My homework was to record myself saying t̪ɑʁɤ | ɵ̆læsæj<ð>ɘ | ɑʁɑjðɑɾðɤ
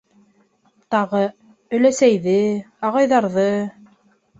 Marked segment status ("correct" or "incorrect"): correct